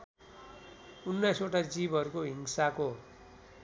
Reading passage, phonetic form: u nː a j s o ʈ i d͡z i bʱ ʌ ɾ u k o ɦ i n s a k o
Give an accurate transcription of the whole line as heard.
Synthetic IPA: u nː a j s o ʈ a d͡z i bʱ ʌ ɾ u k o ɦ i ŋ s a k o